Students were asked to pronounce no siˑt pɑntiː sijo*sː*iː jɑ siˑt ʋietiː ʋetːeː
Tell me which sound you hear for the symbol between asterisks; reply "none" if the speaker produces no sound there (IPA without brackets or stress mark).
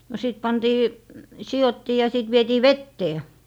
tː